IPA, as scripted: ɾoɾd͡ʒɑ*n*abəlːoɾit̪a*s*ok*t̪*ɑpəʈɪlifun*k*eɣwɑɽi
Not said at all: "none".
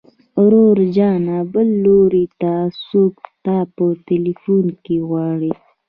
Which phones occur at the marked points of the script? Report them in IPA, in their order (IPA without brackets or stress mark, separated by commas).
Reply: n, s, t̪, k